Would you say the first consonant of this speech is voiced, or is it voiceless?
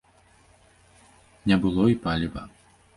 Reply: voiced